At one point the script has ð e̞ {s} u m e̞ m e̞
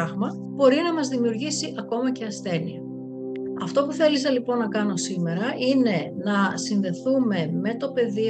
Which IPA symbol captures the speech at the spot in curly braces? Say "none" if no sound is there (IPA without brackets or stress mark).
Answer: θ